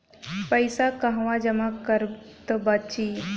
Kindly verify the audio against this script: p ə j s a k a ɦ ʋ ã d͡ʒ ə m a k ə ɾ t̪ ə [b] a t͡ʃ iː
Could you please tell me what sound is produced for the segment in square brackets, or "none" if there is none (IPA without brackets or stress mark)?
b